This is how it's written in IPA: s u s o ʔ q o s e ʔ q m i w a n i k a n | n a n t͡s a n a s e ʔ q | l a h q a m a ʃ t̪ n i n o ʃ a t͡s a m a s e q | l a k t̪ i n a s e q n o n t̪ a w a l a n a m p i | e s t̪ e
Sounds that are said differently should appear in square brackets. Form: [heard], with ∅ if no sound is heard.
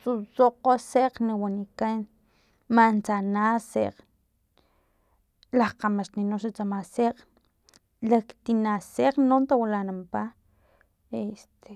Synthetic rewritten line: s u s o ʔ q o s e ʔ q [n] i w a n i k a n | [m] a n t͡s a n a s e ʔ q | l a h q a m a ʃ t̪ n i n o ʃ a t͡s a m a s e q | l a k t̪ i n a s e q n o n t̪ a w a l a n a m p [a] | e s t̪ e